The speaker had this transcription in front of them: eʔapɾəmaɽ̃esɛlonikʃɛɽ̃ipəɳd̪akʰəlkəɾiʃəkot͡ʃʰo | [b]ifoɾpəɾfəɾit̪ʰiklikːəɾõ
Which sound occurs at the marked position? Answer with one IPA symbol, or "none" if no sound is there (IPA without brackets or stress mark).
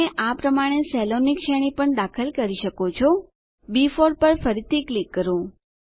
b